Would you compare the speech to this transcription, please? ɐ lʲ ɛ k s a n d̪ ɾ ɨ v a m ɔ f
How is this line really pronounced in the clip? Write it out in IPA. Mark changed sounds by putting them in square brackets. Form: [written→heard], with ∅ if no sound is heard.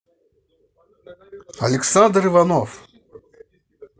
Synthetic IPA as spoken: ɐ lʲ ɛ k s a n d̪ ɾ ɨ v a [m→n] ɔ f